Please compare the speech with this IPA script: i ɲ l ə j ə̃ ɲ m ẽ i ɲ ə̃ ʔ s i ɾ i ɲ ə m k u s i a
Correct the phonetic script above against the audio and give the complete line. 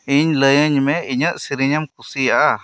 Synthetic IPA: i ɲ l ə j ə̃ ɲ m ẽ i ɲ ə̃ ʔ s i ɾ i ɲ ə m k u s i a